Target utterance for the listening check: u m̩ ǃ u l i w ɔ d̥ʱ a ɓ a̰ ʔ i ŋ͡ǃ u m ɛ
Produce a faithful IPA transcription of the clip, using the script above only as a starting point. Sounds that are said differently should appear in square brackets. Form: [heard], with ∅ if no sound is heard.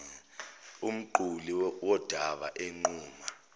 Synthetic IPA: u m̩ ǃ u l i w ɔ d̥ʱ a ɓ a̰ ʔ [e] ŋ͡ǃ [uː] m [a]